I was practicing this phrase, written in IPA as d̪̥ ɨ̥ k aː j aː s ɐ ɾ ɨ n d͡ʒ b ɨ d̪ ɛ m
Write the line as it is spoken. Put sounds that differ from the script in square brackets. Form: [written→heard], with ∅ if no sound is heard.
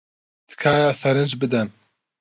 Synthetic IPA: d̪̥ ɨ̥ [k→kʰ] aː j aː s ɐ ɾ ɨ n d͡ʒ b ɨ d̪ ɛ [m→n]